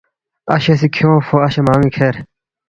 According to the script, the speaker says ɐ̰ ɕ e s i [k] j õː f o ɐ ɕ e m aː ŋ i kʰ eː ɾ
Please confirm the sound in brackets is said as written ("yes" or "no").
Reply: no